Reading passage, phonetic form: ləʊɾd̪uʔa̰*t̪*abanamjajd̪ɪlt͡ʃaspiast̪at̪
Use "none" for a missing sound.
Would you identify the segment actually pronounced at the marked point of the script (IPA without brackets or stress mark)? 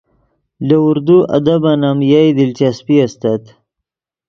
d̪